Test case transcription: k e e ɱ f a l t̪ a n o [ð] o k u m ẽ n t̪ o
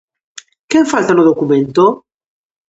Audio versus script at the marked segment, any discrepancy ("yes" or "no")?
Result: no